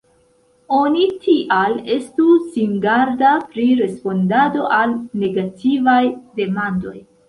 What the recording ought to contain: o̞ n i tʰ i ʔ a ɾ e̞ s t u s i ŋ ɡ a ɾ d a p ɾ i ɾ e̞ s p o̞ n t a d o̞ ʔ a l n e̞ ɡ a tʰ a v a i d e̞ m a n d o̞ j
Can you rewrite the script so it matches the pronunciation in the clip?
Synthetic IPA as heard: o̞ n i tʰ i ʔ a l e̞ s t u s i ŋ ɡ a ɾ d a p ɾ i ɾ e̞ s p o̞ n d a d o̞ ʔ a l n e̞ ɡ a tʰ i v a j d e̞ m a n d o̞ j